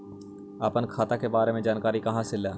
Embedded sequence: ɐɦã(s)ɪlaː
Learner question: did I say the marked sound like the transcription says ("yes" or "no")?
yes